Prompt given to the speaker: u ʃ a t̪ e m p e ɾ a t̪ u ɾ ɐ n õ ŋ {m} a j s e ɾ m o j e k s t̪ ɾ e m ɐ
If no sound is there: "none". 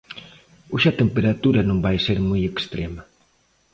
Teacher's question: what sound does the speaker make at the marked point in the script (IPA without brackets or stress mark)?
b